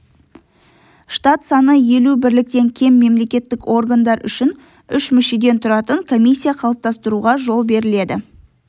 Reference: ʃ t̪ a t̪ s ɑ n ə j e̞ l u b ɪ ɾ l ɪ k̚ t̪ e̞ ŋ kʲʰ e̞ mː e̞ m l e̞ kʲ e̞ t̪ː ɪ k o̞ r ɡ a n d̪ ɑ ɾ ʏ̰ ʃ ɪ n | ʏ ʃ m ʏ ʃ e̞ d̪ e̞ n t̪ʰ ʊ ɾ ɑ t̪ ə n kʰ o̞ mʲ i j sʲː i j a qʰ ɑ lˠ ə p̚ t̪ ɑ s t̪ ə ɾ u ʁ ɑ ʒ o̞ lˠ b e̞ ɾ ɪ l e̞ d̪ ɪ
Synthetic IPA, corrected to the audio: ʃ t̪ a t̪ s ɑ n ə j e̞ l u b ɪ ɾ l ɪ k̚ t̪ e̞ ŋ kʲʰ e̞ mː e̞ m l e̞ kʲ e̞ t̪ː ɪ k o̞ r ɡ a n d̪ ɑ ɾ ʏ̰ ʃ ɪ n | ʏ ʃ m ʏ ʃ e̞ d̪ e̞ n t̪ʰ ʊ ɾ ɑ t̪ ə ŋ kʰ o̞ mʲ i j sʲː i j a qʰ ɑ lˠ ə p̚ t̪ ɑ s t̪ ə ɾ u ʁ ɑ ʒ o̞ lˠ b e̞ ɾ ɪ l e̞ d̪ ɪ